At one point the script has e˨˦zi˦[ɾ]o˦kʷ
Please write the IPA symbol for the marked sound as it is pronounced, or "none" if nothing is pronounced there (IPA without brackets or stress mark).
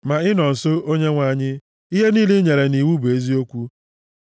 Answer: none